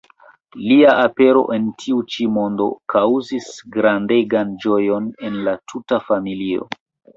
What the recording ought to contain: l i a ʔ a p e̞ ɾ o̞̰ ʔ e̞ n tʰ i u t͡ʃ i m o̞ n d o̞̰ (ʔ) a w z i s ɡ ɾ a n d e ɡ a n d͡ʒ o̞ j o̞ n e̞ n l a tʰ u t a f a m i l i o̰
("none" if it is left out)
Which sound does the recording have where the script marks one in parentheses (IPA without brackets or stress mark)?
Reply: k